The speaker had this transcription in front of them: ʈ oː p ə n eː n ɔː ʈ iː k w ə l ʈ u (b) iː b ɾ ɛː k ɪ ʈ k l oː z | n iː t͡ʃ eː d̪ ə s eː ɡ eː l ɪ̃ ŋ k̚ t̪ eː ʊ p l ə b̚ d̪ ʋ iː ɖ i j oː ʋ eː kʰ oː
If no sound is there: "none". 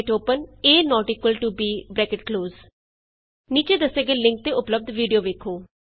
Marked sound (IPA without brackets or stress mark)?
b